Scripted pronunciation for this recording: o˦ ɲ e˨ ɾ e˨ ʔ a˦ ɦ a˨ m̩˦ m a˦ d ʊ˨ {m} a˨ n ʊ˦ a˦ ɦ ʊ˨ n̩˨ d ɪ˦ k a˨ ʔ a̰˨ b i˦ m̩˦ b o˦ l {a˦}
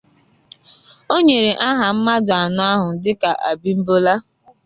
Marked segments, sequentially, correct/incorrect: incorrect: none, correct

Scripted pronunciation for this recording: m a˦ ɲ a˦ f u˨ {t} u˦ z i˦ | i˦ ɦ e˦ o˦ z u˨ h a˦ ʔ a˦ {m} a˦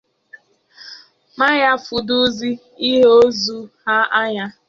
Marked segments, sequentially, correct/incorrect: incorrect: d, incorrect: ɲ

